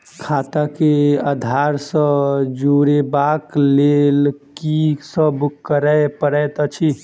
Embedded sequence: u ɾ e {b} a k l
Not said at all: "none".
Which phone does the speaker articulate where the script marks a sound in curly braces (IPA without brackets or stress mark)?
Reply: b